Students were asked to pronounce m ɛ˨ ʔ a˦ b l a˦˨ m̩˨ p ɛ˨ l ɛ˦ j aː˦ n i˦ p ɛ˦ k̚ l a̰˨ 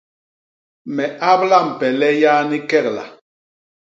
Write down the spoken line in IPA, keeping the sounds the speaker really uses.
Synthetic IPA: m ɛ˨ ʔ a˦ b l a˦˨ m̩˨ p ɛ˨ l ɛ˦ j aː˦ n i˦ k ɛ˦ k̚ l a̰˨